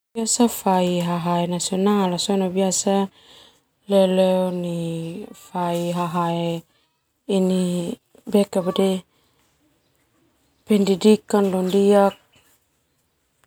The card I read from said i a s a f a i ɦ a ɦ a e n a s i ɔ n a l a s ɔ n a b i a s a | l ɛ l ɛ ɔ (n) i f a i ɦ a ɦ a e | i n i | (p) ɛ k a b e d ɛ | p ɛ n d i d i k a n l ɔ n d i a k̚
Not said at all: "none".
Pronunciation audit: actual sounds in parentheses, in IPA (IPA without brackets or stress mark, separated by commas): n, b